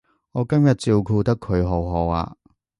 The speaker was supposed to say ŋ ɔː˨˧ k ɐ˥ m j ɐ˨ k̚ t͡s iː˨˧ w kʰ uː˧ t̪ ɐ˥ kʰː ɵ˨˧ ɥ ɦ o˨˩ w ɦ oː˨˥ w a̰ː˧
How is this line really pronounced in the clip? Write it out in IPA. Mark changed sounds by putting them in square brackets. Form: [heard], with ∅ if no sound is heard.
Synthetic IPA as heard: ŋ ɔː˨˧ k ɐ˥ m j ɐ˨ [t̚] t͡s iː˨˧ w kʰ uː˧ t̪ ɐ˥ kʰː ɵ˨˧ ɥ ɦ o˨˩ w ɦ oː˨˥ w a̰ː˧

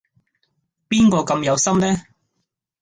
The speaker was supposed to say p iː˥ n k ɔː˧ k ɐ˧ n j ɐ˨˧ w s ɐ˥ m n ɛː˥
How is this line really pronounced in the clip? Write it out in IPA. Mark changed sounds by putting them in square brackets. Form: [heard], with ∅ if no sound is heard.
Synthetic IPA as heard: p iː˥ n k ɔː˧ k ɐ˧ [m] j ɐ˨˧ w s ɐ˥ m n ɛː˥

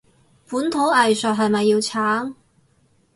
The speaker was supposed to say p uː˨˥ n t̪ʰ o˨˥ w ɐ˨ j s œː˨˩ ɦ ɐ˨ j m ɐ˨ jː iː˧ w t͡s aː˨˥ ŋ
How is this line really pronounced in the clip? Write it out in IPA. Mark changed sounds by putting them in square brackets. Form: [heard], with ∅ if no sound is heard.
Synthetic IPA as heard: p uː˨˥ n t̪ʰ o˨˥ w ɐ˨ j s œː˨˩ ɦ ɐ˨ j m ɐ˨ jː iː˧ w [t͡sʰ] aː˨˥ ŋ

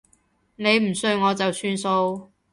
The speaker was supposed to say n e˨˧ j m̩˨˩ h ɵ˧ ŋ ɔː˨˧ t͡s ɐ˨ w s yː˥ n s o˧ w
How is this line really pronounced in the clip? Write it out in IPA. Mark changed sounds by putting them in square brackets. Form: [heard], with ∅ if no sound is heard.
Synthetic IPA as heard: n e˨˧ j m̩˨˩ [s] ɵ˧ ŋ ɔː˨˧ t͡s ɐ˨ w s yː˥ n s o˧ w

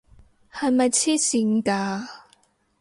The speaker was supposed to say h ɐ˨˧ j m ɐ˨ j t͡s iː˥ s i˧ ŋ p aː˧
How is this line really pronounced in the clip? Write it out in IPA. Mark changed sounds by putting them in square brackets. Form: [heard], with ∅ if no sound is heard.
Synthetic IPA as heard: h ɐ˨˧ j m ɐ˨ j [t͡sʰ] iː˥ s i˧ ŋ [k] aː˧

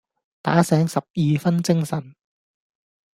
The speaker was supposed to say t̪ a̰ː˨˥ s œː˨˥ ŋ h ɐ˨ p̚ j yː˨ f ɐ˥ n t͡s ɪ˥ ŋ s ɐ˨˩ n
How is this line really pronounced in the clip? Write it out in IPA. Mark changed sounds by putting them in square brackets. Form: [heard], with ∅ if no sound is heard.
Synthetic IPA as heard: t̪ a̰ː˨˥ s [ɛː˨˥] ŋ [s] ɐ˨ p̚ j [iː˨] f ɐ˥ n t͡s ɪ˥ ŋ s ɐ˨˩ n

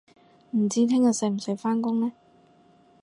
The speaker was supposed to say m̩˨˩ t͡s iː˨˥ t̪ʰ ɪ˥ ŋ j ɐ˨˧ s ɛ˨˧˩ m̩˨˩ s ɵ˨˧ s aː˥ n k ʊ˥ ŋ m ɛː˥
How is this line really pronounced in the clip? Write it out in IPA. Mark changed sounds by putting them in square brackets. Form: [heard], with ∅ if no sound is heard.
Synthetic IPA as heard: m̩˨˩ t͡s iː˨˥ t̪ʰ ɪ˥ ŋ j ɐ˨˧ s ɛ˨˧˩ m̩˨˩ s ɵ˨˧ [f] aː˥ n k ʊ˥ ŋ [n] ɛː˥

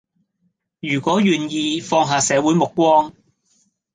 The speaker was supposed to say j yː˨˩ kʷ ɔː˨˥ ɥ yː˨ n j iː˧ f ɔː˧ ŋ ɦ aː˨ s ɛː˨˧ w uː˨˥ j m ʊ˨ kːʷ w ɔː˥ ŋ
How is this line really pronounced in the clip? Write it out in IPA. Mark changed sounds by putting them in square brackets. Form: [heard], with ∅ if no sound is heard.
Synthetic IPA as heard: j yː˨˩ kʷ ɔː˨˥ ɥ yː˨ n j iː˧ f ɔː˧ ŋ ɦ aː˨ s ɛː˨˧ w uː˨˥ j m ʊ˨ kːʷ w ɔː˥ ŋ

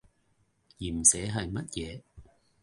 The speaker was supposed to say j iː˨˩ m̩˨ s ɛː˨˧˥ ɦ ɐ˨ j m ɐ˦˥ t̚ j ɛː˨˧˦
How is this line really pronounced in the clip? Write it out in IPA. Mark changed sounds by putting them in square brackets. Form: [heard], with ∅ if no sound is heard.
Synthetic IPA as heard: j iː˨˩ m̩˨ s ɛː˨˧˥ ɦ ɐ˨ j m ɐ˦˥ t̚ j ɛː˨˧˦

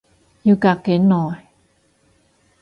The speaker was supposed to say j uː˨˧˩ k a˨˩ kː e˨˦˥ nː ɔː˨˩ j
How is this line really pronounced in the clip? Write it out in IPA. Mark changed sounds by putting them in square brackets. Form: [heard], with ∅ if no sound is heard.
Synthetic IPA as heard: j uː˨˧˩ k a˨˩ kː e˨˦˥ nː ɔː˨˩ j

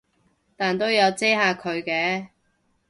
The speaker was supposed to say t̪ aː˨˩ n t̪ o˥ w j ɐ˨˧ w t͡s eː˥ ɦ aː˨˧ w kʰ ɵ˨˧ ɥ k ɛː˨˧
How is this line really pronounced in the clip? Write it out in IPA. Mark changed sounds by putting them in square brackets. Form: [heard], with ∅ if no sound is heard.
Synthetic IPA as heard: t̪ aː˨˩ n t̪ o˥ w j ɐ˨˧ w t͡s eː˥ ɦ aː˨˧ [∅] kʰ ɵ˨˧ ɥ k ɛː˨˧

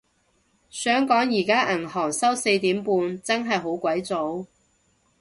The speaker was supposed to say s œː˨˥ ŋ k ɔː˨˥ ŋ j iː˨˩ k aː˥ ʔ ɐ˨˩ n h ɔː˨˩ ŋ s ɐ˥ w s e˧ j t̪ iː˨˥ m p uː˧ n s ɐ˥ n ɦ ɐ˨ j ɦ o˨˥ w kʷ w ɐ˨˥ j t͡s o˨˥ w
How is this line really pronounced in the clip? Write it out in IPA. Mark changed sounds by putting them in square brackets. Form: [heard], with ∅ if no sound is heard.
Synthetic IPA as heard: s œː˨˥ ŋ k ɔː˨˥ ŋ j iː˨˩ k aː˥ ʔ ɐ˨˩ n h ɔː˨˩ ŋ s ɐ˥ w s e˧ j t̪ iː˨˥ m p uː˧ n [t͡s] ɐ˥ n ɦ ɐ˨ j ɦ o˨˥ w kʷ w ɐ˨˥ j t͡s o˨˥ w

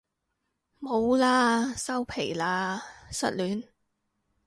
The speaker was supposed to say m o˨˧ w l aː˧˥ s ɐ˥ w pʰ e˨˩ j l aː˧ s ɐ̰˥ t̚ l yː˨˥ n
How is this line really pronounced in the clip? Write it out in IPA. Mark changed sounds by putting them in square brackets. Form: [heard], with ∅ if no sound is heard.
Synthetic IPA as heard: m o˨˧ w l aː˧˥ s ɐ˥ w pʰ e˨˩ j l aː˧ s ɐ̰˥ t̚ l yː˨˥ n

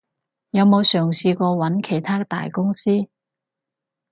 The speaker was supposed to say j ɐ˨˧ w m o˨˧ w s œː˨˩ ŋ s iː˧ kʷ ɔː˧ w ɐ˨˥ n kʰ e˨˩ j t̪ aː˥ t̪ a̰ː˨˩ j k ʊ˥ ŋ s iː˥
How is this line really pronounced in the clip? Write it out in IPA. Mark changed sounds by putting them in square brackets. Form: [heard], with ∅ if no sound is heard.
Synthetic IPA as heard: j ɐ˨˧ w m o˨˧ w s œː˨˩ ŋ s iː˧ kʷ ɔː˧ w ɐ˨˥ n kʰ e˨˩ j [t̪ʰ] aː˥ t̪ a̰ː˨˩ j k ʊ˥ ŋ s iː˥

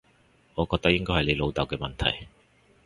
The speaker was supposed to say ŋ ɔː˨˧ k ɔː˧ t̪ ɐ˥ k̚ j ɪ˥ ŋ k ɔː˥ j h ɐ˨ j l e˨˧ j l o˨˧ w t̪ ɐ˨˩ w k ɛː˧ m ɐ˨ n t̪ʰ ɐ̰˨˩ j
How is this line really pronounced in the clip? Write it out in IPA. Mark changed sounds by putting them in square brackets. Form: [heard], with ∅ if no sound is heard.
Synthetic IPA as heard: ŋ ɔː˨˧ k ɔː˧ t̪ ɐ˥ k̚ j ɪ˥ ŋ k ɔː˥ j h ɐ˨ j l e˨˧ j l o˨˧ w t̪ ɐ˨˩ w k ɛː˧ m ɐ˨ n t̪ʰ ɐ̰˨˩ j

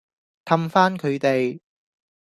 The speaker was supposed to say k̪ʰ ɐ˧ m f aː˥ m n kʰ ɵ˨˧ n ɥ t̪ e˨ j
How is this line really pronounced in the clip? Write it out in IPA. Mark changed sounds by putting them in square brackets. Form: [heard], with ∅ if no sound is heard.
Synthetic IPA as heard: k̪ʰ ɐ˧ m f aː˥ [∅] n kʰ ɵ˨˧ [∅] ɥ t̪ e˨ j

